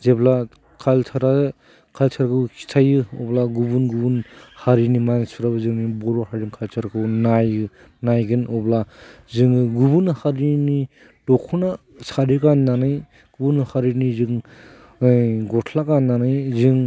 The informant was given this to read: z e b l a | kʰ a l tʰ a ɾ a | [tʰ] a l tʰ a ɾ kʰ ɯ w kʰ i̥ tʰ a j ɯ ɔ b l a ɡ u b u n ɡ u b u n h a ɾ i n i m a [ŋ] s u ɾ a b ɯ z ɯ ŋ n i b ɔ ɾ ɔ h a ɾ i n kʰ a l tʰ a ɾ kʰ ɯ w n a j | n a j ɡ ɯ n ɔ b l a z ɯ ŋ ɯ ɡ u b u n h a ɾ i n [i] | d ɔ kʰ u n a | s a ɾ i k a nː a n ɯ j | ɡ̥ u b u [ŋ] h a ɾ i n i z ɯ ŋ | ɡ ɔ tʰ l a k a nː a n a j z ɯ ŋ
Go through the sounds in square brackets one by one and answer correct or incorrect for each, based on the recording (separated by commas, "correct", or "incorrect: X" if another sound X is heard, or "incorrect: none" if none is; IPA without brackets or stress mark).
incorrect: kʰ, incorrect: n, correct, incorrect: n